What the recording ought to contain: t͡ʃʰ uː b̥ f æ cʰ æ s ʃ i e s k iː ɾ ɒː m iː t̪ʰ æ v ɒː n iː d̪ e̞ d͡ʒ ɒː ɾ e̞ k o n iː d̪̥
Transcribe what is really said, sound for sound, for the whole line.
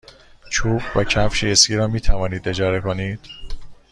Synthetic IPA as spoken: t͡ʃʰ uː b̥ v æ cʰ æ f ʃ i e s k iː ɾ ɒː m iː t̪ʰ æ v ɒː n iː d̪ e̞ d͡ʒ ɒː ɾ e̞ k o n iː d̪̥